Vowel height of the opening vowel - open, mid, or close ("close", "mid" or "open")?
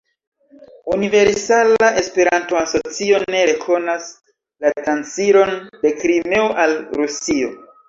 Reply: close